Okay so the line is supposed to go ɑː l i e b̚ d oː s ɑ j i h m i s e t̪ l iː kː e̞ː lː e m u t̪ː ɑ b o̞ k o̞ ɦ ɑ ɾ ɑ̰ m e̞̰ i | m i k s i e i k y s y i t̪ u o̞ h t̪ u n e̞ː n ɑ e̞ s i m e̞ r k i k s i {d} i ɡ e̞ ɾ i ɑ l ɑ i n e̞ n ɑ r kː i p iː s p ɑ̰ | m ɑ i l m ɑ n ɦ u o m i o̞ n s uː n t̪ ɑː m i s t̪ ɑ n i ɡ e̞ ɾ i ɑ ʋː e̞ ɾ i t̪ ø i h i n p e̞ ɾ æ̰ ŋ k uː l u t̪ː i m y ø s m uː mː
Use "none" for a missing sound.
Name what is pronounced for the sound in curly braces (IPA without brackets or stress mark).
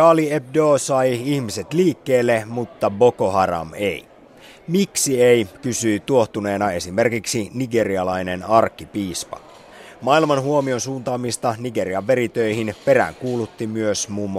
n